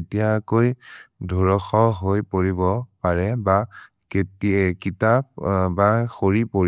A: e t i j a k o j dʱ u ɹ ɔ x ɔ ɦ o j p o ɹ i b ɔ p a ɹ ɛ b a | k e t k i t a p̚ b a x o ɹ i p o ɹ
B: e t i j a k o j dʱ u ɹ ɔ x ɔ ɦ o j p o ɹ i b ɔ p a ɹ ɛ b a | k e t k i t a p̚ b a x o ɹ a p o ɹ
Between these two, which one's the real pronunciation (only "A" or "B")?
A